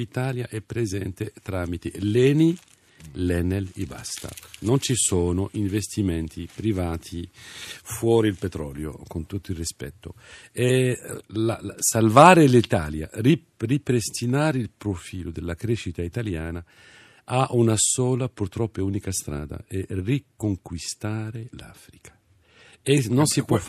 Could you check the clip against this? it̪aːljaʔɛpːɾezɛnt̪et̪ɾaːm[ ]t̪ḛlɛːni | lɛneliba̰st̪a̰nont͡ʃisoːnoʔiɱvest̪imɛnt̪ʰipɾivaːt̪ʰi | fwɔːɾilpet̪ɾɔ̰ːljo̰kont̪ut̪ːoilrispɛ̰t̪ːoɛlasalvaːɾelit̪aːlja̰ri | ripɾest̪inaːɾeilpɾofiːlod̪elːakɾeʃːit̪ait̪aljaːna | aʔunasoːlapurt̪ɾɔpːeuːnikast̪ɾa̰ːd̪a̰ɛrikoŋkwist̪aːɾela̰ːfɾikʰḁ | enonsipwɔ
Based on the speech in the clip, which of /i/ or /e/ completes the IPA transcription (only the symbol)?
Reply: i